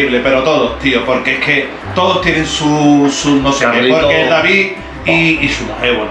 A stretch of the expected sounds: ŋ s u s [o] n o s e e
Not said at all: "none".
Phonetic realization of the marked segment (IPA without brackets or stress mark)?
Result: u